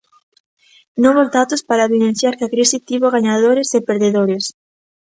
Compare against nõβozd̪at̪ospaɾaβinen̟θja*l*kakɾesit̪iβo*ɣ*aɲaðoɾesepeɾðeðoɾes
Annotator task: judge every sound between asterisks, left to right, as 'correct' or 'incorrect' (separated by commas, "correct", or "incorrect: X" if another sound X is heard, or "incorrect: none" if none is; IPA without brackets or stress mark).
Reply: incorrect: ɾ, correct